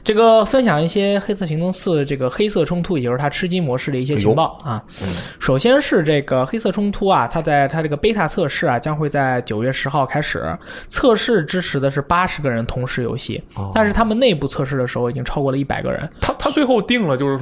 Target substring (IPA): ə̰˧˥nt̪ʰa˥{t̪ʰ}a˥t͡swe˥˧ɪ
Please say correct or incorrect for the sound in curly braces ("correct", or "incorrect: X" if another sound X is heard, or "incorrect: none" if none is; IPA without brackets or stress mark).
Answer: correct